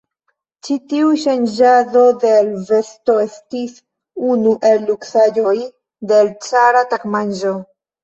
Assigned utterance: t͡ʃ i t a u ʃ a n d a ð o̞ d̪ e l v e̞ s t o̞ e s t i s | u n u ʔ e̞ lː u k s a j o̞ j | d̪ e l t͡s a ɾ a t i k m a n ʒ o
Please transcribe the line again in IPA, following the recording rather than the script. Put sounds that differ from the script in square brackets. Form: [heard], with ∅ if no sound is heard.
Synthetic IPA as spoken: t͡ʃ i t [i] u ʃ a n [d͡ʒ] a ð o̞ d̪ e l v e̞ s t o̞ e s t i s | u n u ʔ e̞ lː u k s a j o̞ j | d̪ e l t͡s a ɾ a t [a] k m a n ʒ o